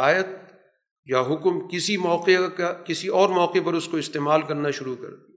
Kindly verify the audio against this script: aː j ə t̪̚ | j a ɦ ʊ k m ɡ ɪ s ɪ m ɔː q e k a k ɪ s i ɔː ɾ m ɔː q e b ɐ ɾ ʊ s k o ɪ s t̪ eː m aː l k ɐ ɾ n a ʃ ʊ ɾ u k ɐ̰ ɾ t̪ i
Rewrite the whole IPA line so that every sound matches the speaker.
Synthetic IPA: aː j ə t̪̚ | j a ɦ ʊ k m k ɪ s i m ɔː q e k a k ɪ s i ɔː ɾ m ɔː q e p ɐ ɾ ʊ s k o ɪ s t̪ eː m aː l k ɐ ɾ n a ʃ ʊ ɾ u k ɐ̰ ɾ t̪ i